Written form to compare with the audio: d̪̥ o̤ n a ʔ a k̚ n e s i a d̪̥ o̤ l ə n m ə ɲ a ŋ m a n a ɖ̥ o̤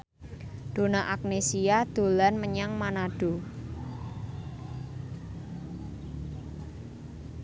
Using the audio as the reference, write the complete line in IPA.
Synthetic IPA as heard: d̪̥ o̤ n a ʔ a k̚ n e s i a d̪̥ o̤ l a n m ə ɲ a ŋ m a n a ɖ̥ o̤